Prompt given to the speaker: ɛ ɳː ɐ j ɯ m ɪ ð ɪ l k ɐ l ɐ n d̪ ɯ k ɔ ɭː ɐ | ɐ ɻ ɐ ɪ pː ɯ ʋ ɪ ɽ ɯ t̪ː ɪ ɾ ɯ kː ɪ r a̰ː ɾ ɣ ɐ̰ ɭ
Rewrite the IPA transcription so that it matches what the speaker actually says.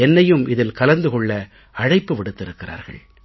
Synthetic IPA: ɛ nː ɐ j ɯ m ɪ ð ɪ l k ɐ l ɐ n d̪ ɯ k ɔ ɭː ɐ | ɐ ɻ ɐ ɪ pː ɯ ʋ ɪ ɽ ɯ t̪ː ɪ ɾ ɯ kː ɪ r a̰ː ɾ ɣ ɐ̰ ɭ